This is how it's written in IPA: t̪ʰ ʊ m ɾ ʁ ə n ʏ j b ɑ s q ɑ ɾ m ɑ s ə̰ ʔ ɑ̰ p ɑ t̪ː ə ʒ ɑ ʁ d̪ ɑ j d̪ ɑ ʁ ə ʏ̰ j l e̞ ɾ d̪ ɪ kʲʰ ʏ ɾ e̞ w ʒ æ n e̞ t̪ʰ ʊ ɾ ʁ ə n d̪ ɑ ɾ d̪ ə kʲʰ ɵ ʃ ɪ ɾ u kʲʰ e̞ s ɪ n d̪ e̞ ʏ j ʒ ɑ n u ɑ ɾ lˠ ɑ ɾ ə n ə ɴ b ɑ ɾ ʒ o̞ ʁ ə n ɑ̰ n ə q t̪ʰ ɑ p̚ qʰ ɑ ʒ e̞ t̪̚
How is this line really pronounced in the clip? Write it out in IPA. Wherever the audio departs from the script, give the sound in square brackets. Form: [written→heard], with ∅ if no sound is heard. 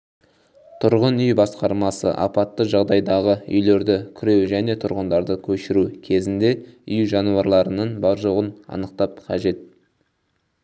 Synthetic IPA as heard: t̪ʰ ʊ [m→∅] ɾ ʁ ə n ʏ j b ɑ s q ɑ ɾ m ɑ s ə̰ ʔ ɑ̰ p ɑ t̪ː ə ʒ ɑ ʁ d̪ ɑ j d̪ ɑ ʁ ə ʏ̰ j l e̞ ɾ d̪ ɪ kʲʰ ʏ ɾ e̞ w ʒ æ n e̞ t̪ʰ ʊ ɾ ʁ ə n d̪ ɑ ɾ d̪ ə kʲʰ ɵ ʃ ɪ ɾ u kʲʰ e̞ [s→z] ɪ n d̪ e̞ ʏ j ʒ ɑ n u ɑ ɾ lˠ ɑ ɾ ə n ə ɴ b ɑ ɾ ʒ o̞ ʁ ə n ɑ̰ n ə q [t̪ʰ→t̪] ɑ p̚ qʰ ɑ ʒ e̞ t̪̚